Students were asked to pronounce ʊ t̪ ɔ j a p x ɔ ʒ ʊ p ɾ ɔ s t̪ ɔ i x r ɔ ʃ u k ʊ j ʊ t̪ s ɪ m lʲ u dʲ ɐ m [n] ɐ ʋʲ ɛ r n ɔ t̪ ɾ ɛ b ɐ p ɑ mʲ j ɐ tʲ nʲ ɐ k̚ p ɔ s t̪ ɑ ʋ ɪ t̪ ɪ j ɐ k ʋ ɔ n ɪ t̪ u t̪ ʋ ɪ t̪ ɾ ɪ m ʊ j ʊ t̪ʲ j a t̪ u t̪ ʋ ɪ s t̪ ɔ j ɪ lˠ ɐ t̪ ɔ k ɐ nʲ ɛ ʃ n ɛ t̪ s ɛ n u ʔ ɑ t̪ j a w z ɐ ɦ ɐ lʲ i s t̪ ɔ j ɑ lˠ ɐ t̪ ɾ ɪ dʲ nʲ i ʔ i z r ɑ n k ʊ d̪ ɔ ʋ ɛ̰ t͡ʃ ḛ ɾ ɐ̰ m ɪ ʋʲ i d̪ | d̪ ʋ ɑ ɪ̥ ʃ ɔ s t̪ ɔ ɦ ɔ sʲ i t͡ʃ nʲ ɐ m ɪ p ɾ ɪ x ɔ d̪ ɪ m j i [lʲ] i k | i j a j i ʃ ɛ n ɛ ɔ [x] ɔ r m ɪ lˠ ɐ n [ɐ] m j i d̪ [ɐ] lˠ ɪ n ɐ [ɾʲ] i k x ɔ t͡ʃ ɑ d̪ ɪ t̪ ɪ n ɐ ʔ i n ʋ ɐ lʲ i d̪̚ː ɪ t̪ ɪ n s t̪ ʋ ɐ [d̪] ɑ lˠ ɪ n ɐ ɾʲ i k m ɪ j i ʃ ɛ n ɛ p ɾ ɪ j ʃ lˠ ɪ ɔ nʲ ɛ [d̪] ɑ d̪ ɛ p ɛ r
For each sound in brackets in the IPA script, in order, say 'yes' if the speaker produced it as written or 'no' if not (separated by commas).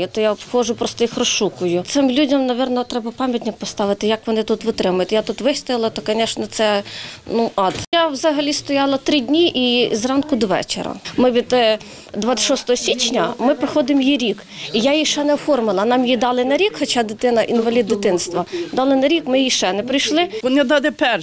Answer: yes, no, no, no, no, yes, yes, yes